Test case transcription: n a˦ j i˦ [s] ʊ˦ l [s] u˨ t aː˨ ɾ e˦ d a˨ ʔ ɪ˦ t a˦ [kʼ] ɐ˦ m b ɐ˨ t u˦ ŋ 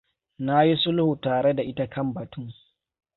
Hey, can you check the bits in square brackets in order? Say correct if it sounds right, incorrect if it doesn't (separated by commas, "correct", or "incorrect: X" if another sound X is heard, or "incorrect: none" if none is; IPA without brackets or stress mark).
correct, incorrect: h, incorrect: k